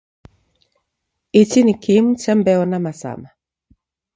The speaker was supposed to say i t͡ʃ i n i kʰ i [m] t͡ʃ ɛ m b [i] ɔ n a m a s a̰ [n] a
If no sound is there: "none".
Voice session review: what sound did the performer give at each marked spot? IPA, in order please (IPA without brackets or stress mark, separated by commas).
m, ɛ, m